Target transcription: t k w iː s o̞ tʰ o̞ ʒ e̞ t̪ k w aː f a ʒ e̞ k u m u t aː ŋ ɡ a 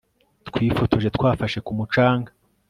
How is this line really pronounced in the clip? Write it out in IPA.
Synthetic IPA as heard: t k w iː f o̞ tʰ o̞ ʒ e̞ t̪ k w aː f a ʃ e̞ k u m u t͡ʃ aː ŋ ɡ a